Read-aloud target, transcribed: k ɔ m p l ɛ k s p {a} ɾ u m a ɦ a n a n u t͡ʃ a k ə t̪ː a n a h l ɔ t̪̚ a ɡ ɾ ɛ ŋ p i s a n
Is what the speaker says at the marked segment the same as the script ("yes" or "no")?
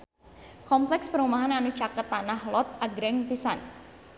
no